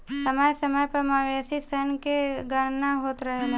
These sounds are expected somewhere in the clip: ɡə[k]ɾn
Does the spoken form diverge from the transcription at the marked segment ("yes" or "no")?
yes